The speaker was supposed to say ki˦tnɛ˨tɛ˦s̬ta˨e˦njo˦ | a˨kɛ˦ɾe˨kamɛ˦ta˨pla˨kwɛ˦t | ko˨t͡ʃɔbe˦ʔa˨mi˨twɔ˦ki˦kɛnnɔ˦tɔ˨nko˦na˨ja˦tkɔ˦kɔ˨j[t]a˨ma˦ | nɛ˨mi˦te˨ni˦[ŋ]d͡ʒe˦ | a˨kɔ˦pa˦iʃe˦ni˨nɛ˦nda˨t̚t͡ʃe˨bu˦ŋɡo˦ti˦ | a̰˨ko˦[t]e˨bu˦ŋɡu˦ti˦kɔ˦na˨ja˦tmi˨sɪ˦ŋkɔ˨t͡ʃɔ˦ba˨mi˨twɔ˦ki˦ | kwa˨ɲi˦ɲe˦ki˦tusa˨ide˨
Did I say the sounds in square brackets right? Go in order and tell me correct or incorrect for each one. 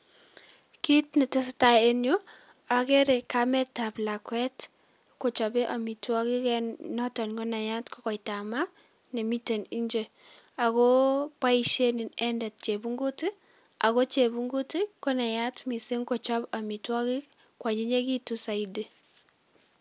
correct, incorrect: ɲ, incorrect: t͡ʃ

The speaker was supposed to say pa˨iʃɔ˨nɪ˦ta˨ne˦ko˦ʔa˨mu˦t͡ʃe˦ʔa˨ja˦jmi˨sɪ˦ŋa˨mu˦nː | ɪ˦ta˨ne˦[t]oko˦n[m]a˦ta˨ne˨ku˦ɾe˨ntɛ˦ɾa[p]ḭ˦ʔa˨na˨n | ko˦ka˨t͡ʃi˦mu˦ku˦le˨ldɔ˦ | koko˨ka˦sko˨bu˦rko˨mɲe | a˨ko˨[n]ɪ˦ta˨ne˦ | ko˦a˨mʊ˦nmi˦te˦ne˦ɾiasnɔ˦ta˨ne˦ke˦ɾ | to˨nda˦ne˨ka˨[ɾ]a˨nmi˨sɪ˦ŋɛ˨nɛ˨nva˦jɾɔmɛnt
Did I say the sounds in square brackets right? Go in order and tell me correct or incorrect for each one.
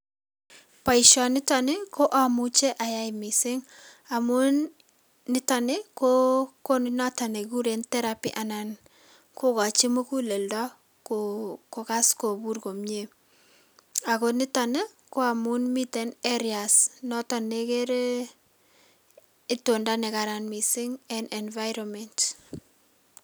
incorrect: k, incorrect: n, correct, correct, correct

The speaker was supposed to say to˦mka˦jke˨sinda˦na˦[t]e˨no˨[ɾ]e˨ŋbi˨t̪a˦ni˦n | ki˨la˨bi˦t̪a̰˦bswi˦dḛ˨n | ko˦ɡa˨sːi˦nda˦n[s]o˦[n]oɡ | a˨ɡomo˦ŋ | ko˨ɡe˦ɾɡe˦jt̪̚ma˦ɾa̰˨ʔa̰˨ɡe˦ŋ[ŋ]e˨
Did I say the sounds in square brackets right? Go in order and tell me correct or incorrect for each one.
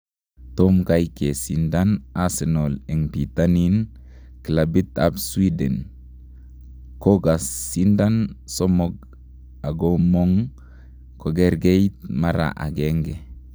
incorrect: s, incorrect: l, correct, incorrect: m, incorrect: ɡ

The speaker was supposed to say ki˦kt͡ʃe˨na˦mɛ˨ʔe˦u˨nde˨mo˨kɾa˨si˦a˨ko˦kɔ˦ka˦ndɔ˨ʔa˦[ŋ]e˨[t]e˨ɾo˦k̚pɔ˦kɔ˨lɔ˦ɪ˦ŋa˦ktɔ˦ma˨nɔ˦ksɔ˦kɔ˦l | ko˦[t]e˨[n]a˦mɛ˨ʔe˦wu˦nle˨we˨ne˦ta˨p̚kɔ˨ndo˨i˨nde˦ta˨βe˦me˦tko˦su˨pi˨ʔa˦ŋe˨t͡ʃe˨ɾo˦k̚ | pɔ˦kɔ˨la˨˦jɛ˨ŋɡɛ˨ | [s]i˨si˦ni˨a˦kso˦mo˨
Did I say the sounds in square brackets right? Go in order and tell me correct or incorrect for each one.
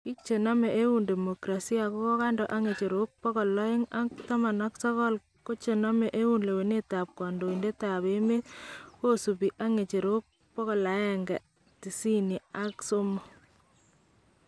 correct, incorrect: t͡ʃ, incorrect: t͡ʃ, correct, incorrect: t

